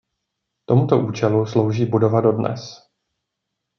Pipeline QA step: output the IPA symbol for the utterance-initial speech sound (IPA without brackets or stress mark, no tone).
t̪